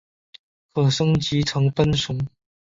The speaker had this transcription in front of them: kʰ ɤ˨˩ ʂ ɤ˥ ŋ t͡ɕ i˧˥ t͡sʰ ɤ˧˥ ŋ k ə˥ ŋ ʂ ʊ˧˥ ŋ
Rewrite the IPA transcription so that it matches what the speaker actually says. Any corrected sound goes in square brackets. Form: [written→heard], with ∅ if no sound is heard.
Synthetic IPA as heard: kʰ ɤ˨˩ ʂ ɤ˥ ŋ t͡ɕ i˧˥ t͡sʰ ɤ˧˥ ŋ [k→p] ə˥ [ŋ→n] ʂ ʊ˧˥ ŋ